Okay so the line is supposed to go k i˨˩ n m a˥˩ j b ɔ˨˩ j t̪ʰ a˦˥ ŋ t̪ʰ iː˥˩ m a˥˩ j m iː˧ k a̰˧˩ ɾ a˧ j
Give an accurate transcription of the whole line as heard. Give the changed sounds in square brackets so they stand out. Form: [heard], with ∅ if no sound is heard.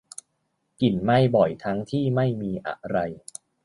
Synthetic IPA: k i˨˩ n m a˥˩ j b ɔ˨˩ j t̪ʰ a˦˥ ŋ t̪ʰ iː˥˩ m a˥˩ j m iː˧ [ʔ] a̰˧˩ ɾ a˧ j